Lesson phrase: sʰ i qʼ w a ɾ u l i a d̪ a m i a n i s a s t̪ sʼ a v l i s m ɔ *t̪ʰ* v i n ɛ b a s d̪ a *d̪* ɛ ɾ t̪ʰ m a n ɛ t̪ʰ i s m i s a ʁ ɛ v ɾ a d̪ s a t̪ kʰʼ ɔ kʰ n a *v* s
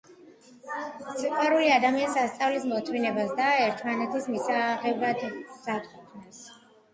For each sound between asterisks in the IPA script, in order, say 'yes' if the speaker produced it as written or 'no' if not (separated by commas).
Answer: yes, no, no